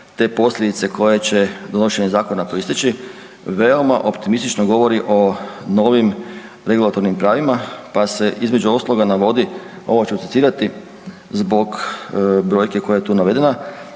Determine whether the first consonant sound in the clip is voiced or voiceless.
voiceless